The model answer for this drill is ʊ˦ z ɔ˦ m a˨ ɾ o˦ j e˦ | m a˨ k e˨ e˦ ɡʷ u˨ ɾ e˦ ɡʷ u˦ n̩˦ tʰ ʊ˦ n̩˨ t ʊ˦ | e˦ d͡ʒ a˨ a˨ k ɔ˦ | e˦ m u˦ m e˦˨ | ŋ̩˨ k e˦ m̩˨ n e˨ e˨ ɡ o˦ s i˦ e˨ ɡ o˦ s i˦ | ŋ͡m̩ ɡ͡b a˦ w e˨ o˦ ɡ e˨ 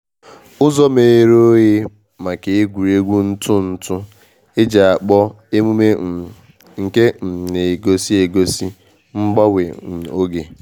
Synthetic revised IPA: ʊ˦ z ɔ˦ m e˨ ɾ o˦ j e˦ | m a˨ k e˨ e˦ ɡʷ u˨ ɾ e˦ ɡʷ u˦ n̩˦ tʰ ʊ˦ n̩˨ t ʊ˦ | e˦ d͡ʒ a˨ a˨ k͡p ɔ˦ | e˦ m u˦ m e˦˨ | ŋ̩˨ k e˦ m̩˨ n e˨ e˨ ɡ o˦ s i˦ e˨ ɡ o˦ s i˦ | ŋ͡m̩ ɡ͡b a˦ w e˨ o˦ ɡ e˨

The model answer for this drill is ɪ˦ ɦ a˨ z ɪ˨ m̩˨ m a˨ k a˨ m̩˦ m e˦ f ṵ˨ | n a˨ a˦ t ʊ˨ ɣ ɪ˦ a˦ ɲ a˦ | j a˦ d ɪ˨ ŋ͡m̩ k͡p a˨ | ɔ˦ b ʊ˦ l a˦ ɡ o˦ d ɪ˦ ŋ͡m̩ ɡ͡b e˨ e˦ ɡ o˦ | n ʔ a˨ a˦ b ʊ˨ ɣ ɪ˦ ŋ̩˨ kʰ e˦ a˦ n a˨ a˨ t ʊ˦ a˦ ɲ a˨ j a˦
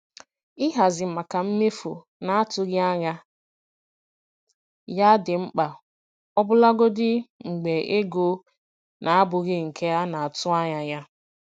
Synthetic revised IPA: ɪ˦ ɦ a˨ z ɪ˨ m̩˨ m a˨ k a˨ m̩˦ m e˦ f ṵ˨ | n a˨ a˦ t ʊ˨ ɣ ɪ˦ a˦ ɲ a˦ | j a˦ d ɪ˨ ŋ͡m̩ k͡p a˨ | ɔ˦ b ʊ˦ l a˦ ɡ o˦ d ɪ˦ ŋ͡m̩ ɡ͡b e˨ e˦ ɡ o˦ | n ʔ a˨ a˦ b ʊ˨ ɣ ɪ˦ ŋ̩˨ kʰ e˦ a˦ n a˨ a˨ t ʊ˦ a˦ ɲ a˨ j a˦

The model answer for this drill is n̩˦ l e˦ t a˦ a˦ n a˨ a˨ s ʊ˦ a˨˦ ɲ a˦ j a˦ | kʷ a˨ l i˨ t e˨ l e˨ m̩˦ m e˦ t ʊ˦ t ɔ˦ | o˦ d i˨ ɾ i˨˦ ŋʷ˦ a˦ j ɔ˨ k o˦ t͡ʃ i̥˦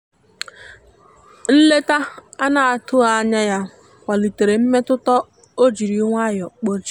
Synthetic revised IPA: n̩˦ l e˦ t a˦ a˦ n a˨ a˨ t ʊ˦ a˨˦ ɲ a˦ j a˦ | kʷ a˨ l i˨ t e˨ ɾ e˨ m̩˦ m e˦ t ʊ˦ t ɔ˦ | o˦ d͡ʒ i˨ ɾ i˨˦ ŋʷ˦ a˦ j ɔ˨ k͡p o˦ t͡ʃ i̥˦

